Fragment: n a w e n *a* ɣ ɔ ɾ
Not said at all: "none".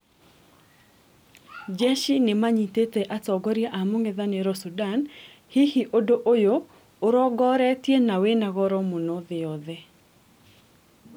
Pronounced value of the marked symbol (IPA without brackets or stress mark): a